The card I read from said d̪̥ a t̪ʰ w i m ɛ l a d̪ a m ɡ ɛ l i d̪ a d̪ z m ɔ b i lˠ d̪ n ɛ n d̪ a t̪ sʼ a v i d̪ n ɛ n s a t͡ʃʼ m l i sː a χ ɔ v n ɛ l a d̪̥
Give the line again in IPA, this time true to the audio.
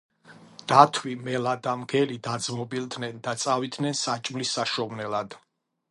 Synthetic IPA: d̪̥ a t̪ʰ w i m ɛ l a d̪ a m ɡ ɛ l i d̪ a d̪ z m ɔ b i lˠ d̪ n ɛ n d̪ a t̪ sʼ a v i d̪ n ɛ n s a t͡ʃʼ m l i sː a ʃ ɔ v n ɛ l a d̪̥